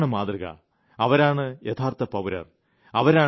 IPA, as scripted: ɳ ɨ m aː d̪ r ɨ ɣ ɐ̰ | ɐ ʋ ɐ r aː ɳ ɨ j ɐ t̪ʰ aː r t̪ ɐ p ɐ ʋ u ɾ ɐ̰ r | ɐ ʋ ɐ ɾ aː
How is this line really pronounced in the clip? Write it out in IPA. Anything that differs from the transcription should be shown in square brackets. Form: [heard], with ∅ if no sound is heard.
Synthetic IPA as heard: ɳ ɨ m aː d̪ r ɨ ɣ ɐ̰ | ɐ ʋ ɐ [ɾ] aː ɳ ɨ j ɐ t̪ʰ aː r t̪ ɐ p ɐ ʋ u ɾ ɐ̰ r | ɐ ʋ ɐ ɾ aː